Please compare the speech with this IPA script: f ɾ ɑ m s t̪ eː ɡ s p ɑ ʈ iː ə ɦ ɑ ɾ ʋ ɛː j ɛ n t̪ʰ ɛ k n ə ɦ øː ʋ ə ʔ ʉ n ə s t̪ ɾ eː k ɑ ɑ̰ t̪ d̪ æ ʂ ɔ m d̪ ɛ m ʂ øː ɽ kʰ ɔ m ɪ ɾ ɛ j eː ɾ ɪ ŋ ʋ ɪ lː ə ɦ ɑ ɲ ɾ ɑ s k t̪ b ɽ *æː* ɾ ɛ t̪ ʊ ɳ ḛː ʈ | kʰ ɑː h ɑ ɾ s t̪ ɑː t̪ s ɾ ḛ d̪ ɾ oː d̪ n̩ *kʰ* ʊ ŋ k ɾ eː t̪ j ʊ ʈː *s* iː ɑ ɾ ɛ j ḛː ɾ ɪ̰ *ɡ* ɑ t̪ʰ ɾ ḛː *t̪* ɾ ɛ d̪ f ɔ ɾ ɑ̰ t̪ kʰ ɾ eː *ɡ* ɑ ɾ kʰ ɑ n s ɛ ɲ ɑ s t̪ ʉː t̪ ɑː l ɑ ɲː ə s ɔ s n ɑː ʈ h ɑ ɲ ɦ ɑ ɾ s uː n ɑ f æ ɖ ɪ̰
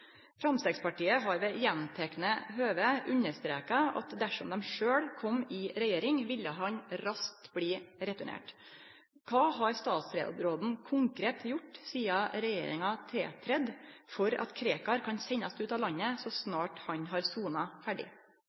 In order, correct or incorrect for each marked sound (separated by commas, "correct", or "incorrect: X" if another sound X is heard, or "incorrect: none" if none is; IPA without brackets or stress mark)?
incorrect: iː, correct, correct, incorrect: ŋ, incorrect: t̪ʰ, incorrect: k